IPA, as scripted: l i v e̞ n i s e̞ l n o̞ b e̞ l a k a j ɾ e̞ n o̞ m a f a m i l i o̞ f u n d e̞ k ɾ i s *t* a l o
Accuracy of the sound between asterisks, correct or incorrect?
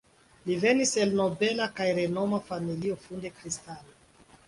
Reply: correct